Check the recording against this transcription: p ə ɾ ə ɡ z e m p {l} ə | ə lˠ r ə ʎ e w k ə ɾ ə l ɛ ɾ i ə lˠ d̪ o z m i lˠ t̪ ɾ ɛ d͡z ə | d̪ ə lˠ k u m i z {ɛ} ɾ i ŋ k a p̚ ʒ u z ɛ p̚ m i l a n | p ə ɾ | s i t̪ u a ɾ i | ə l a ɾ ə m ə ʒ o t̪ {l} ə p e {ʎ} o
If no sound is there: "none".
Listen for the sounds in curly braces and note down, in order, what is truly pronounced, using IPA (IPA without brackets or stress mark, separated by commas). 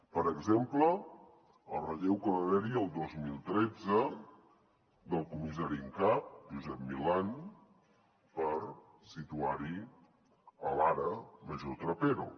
l, a, ɾ, ɾ